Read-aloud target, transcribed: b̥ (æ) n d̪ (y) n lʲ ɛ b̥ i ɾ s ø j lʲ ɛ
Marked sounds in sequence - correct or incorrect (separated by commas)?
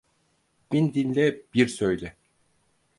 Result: incorrect, incorrect